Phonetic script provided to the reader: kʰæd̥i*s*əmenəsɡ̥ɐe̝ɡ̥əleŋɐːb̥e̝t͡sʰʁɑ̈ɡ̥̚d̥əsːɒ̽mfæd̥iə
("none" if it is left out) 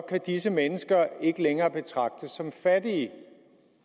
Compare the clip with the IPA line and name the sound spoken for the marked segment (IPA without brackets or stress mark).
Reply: s